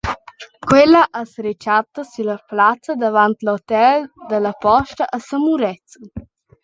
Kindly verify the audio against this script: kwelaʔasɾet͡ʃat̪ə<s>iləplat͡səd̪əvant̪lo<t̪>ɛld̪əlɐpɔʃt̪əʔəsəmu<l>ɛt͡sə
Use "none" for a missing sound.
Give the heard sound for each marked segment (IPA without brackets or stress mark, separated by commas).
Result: s, t̪, ɾ